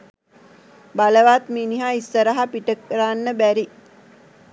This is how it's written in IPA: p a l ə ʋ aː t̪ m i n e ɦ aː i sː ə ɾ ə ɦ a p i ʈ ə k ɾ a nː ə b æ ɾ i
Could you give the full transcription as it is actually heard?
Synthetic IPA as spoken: b a l ə ʋ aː t̪ m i n i ɦ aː i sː ə ɾ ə ɦ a p i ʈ ə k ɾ a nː ə b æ ɾ i